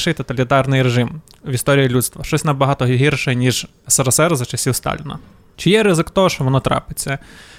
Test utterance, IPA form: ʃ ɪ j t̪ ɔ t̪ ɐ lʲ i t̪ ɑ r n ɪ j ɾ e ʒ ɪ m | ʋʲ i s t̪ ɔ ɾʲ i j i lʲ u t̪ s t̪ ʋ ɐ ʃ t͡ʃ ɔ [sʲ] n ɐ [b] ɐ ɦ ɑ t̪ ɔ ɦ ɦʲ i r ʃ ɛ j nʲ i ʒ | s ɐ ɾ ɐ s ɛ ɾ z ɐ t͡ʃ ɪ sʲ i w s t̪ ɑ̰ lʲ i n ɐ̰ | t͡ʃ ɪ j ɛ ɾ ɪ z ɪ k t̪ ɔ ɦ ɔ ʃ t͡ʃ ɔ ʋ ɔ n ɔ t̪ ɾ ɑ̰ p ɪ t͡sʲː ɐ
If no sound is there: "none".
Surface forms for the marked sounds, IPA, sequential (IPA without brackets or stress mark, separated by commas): sʲ, b